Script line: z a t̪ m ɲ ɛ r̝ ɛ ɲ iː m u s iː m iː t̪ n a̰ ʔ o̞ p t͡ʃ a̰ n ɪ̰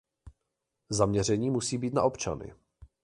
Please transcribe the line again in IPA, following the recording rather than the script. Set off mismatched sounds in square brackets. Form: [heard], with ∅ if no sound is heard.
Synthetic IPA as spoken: z a [∅] m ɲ ɛ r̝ ɛ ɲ iː m u s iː [b] iː t̪ n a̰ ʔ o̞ p t͡ʃ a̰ n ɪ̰

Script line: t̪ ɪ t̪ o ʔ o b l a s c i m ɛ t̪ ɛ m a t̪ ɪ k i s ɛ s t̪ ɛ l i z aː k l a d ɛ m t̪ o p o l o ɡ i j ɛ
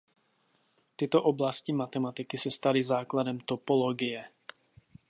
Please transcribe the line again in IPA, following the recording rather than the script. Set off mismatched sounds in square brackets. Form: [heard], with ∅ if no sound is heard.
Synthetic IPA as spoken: t̪ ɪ t̪ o ʔ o b l a s c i m [a] t̪ ɛ m a t̪ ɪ k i s ɛ s t̪ [a] l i z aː k l a d ɛ m t̪ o p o l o ɡ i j ɛ

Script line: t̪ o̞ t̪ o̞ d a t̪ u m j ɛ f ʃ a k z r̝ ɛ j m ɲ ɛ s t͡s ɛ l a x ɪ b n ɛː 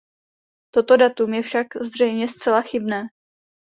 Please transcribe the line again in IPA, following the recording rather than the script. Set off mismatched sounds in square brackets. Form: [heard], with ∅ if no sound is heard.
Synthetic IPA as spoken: t̪ o̞ t̪ o̞ d a t̪ u m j ɛ f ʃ a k z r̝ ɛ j m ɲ ɛ s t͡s ɛ l a x ɪ b n ɛː

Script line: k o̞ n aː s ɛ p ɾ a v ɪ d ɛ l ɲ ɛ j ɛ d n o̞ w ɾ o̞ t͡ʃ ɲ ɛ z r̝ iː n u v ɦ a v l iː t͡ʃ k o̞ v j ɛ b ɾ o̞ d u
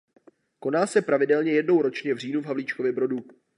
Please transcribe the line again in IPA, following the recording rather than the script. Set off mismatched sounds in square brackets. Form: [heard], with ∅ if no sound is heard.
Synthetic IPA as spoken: k o̞ n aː s ɛ p ɾ a v ɪ d ɛ l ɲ ɛ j ɛ d n o̞ w ɾ o̞ t͡ʃ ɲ ɛ [v] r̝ iː n u v ɦ a v l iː t͡ʃ k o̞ v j ɛ b ɾ o̞ d u

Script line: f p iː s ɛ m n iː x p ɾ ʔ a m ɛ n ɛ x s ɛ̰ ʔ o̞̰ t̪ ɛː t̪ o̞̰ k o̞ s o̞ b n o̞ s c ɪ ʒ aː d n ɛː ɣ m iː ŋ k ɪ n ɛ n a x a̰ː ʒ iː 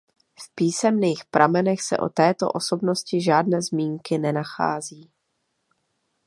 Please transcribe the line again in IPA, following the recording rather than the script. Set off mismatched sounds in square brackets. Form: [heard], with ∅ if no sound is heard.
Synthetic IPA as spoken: f p iː s ɛ m n iː x p ɾ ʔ a m ɛ n ɛ x s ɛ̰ ʔ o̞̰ t̪ ɛː t̪ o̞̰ [ʔ] o̞ s o̞ b n o̞ s c ɪ ʒ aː d n ɛː [z] m iː ŋ k ɪ n ɛ n a x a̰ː [z] iː

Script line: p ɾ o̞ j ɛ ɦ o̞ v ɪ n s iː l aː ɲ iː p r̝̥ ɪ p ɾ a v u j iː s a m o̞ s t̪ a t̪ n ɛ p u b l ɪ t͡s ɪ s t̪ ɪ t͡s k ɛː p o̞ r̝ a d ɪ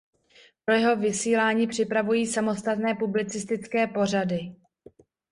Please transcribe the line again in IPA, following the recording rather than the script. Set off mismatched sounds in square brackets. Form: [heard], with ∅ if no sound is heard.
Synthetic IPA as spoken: p ɾ o̞ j ɛ ɦ o̞ v ɪ [∅] s iː l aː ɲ iː p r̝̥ ɪ p ɾ a v u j iː s a m o̞ s t̪ a t̪ n [ɛː] p u b l ɪ t͡s ɪ s t̪ ɪ t͡s k ɛː p o̞ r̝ a d ɪ

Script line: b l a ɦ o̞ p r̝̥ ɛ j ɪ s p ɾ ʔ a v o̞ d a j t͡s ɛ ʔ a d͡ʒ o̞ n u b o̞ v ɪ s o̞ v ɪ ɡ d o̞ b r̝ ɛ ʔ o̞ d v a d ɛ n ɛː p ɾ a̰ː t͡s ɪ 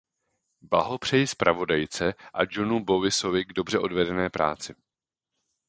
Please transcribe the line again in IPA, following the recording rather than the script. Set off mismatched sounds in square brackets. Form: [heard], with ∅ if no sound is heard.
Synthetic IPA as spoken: b l a ɦ o̞ p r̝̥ ɛ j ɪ s p ɾ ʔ a v o̞ d a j t͡s ɛ ʔ a d͡ʒ o̞ n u b o̞ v ɪ s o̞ v ɪ ɡ d o̞ b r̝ ɛ ʔ o̞ d v [ɛ] d ɛ n ɛː p ɾ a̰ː t͡s ɪ

